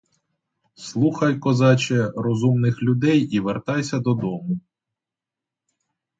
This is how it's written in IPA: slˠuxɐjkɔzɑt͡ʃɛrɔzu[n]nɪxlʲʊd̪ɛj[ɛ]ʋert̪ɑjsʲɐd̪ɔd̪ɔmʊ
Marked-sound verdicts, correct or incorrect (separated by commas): incorrect, incorrect